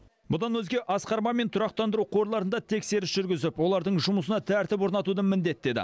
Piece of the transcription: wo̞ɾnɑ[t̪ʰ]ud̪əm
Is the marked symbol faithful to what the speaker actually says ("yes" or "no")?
no